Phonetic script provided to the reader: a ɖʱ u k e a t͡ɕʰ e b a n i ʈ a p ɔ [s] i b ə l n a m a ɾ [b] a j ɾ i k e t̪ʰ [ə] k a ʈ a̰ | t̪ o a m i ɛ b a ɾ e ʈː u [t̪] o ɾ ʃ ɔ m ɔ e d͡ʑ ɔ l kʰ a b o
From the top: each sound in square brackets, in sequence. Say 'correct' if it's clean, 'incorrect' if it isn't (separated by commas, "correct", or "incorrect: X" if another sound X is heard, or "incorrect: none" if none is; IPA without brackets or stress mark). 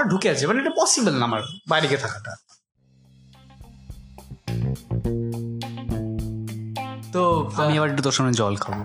correct, correct, incorrect: a, correct